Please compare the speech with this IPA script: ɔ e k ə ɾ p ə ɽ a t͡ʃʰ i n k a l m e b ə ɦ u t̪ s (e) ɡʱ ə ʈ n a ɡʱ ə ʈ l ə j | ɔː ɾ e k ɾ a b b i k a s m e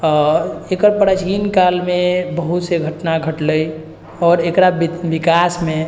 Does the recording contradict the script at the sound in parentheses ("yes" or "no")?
no